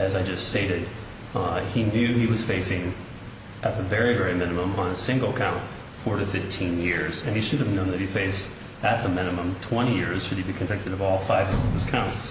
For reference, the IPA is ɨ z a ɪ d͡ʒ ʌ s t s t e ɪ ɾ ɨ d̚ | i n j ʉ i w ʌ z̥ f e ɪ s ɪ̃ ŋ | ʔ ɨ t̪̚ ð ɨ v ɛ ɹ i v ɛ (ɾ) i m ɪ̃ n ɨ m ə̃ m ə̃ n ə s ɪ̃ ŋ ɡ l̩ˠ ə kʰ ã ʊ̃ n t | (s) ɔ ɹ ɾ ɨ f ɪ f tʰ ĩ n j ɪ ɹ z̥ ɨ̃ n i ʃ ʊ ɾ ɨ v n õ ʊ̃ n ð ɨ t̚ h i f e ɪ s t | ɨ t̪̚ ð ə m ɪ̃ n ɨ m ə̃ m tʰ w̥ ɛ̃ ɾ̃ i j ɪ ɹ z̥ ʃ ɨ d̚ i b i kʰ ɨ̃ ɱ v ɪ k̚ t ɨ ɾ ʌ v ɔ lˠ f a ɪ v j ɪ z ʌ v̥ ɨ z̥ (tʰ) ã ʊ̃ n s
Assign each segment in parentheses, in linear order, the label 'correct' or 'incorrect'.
incorrect: ɹ, incorrect: f, incorrect: kʰ

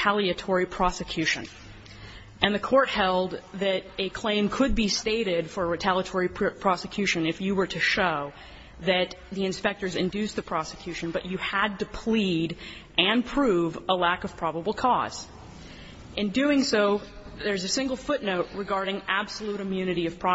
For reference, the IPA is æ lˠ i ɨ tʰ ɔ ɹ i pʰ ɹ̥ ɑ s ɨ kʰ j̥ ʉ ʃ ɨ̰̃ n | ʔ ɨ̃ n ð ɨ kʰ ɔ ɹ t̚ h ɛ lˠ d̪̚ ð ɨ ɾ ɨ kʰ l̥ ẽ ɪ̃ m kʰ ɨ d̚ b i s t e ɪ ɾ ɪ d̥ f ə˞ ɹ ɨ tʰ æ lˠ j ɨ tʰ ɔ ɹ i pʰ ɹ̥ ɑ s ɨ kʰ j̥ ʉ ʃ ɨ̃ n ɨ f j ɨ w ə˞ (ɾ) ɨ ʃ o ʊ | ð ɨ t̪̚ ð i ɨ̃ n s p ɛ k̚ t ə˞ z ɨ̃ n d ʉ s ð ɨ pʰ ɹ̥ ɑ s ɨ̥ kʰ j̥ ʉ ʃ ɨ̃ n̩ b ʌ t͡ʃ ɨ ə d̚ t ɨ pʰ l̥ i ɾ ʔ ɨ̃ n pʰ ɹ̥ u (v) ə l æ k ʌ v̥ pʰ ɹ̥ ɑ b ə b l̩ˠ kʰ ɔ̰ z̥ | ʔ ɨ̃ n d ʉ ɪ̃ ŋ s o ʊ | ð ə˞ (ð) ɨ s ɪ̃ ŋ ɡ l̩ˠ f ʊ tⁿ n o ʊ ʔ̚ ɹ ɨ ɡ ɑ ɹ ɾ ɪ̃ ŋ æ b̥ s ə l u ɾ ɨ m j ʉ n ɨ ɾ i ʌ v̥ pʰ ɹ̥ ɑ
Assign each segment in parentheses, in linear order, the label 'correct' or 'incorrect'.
correct, correct, incorrect: z

